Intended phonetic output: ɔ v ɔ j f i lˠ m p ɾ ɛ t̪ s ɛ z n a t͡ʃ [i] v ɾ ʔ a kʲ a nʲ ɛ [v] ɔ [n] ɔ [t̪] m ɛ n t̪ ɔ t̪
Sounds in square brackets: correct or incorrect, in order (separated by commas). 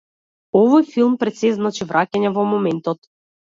correct, correct, incorrect, incorrect